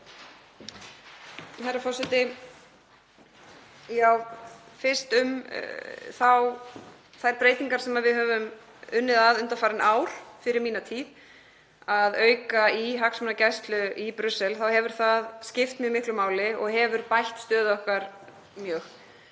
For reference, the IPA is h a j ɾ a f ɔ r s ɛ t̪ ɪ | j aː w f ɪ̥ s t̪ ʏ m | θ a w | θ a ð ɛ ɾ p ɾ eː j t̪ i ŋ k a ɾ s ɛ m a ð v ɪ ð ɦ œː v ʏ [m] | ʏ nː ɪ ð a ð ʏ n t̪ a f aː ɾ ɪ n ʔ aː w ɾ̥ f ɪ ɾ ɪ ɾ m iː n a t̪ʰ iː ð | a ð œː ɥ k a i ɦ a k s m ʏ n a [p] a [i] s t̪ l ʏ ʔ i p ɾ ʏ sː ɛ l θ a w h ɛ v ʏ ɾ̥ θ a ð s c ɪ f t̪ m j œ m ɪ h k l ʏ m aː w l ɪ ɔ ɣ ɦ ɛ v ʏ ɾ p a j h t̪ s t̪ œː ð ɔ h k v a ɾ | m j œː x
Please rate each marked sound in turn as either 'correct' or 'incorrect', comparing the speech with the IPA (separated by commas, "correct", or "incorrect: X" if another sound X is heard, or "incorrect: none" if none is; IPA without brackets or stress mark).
correct, incorrect: c, incorrect: j